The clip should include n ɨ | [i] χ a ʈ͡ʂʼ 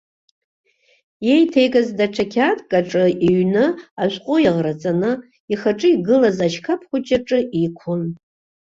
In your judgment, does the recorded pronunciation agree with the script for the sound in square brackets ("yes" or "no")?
yes